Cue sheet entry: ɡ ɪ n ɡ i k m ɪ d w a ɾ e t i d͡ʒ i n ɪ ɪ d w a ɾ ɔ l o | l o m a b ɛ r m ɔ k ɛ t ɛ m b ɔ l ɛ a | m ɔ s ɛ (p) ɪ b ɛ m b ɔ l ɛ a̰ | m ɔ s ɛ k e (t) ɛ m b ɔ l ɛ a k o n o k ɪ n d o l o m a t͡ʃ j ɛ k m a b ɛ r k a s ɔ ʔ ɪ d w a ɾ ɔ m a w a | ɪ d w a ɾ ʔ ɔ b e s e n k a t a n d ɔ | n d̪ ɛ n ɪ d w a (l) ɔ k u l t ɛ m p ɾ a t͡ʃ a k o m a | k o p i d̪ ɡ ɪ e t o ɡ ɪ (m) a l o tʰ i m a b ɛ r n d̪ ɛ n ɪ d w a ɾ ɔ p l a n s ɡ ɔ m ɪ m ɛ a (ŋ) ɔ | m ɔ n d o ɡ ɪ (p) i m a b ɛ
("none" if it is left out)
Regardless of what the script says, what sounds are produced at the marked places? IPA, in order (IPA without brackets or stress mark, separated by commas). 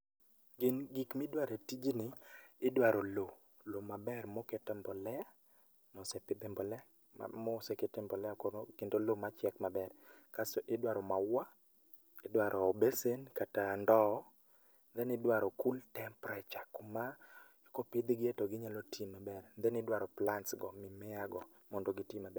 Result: p, t, ɾ, ɲ, ɡ, t